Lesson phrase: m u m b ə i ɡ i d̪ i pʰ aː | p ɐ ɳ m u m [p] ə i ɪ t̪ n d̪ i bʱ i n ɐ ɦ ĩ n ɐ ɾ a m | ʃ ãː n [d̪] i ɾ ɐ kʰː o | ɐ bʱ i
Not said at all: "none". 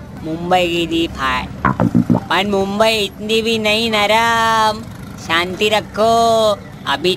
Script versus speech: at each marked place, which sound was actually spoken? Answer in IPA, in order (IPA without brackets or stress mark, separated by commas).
b, t̪